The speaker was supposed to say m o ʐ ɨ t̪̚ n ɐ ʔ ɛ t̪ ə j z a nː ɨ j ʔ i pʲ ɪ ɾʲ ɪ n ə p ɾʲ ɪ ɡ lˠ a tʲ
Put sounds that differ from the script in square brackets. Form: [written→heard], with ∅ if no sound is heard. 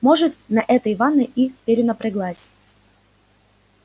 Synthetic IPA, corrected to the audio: m o ʐ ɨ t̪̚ n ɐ ʔ ɛ t̪ ə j [z→v] a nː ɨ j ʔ i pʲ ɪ ɾʲ ɪ n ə p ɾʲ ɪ ɡ lˠ a [tʲ→sʲ]